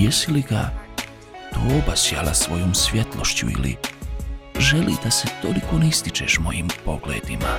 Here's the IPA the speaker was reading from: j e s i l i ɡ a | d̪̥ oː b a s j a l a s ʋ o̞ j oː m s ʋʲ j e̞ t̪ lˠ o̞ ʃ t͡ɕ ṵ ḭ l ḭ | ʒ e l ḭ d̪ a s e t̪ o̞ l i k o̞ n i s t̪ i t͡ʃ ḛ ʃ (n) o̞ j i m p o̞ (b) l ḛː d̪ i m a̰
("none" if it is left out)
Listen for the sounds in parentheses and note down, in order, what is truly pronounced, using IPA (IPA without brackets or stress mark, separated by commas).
m, ɡ